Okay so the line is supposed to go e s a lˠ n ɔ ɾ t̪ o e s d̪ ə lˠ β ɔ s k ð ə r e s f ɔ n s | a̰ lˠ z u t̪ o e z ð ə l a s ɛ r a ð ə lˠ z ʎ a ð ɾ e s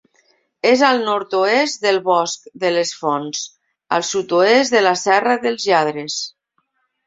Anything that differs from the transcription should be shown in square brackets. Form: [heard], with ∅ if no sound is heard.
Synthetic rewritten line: e [z] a lˠ n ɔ ɾ t̪ o e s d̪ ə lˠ β ɔ s k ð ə [l] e s f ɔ n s | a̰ lˠ [s] u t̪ o e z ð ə l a s ɛ r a ð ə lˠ z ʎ a ð ɾ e s